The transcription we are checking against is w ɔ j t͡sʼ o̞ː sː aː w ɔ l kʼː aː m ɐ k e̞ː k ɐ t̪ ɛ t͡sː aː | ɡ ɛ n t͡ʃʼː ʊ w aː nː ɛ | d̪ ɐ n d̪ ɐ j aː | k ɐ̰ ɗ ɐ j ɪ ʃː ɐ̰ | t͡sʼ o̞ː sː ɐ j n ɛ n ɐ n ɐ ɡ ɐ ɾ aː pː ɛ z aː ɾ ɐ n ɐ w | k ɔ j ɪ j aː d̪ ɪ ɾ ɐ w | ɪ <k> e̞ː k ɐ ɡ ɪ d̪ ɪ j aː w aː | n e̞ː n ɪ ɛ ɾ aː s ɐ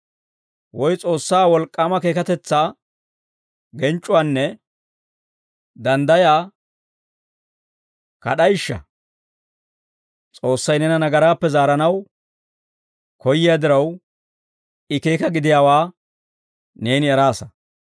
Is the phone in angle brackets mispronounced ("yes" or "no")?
no